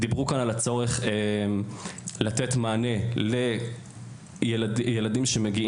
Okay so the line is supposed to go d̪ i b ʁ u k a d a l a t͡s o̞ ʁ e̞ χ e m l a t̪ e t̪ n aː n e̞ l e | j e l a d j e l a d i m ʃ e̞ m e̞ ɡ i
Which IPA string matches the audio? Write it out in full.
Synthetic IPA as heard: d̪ i b ʁ u k a n a l a t͡s o̞ ʁ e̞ χ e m l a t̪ e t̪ m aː n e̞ l e | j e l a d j e l a d i m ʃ e̞ m e̞ ɡ i